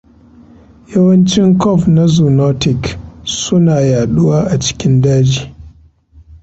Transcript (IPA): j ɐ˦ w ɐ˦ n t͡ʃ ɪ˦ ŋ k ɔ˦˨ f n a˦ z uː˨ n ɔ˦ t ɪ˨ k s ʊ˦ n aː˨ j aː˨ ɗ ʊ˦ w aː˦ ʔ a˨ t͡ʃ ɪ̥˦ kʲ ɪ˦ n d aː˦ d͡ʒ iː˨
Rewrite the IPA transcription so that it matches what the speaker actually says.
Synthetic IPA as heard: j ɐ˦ w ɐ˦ n t͡ʃ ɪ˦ ŋ k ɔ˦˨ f n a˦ z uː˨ n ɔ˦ t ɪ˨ k s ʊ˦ n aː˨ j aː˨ ɗ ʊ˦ w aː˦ ʔ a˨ t͡ʃ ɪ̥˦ kʲ ɪ˦ n d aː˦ d͡ʒ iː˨